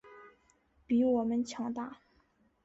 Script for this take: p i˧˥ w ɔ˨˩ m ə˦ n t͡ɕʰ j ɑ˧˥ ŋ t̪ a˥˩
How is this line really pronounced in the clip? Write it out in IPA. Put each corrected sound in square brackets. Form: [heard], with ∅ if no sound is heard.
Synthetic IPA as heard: p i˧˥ w ɔ˨˩ m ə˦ n t͡ɕʰ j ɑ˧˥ ŋ t̪ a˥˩